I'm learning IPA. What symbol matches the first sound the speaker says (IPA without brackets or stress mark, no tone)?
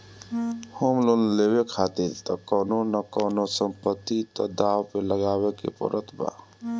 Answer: h